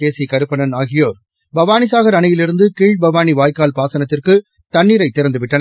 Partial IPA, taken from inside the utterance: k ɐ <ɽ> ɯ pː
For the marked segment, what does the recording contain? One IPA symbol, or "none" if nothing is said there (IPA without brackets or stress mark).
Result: ɾ